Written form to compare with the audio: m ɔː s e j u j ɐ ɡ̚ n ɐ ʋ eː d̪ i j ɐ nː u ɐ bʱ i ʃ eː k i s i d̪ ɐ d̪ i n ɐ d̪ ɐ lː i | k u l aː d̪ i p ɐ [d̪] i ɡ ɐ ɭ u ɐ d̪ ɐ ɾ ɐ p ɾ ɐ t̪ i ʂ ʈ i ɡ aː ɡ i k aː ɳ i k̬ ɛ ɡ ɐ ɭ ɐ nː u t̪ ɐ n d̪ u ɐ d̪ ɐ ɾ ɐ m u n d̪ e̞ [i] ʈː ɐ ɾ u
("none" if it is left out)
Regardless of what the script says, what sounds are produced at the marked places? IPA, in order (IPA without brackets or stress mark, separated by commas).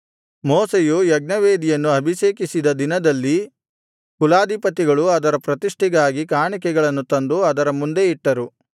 t̪, i